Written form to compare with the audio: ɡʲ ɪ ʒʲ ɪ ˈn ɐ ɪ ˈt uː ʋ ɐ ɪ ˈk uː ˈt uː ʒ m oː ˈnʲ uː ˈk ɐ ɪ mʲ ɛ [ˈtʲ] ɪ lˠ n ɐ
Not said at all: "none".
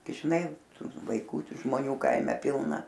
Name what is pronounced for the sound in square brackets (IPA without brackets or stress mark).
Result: pʲ